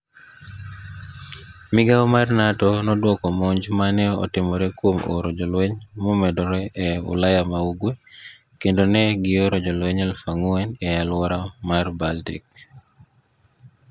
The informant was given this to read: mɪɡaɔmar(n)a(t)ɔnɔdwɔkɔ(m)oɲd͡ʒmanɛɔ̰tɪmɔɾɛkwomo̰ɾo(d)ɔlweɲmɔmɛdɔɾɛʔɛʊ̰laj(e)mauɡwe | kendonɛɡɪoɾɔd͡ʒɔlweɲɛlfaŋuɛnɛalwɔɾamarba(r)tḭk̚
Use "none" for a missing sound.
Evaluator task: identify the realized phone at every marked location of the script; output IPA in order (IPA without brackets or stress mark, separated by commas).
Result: n, t, m, d͡ʒ, a, l